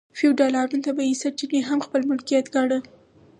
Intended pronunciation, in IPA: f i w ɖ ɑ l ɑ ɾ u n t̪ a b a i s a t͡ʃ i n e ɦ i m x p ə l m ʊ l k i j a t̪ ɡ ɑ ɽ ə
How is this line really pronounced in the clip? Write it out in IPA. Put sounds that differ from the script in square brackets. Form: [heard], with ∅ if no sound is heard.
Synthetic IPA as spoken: f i w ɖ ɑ l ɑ ɾ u n t̪ a b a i s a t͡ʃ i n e ɦ [a] m x p ə l m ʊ l k i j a t̪ ɡ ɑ ɽ ə